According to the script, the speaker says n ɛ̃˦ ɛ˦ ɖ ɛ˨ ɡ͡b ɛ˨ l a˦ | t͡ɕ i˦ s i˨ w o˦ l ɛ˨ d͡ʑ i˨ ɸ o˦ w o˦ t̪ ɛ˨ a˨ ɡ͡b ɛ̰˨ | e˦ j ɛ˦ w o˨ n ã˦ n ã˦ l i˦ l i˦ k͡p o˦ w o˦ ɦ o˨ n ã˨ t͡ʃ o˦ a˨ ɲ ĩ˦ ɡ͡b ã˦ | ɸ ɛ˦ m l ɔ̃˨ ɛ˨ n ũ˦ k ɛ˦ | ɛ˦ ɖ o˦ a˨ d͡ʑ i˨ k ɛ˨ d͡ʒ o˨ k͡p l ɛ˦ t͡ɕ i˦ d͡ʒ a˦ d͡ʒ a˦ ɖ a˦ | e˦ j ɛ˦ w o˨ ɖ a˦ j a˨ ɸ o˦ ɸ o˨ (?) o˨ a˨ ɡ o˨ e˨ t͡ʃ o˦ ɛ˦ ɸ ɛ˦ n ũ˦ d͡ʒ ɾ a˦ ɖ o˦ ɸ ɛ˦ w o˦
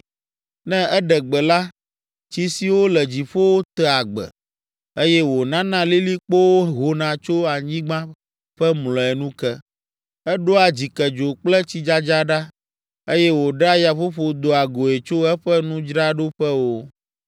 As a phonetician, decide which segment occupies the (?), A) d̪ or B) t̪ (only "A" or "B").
A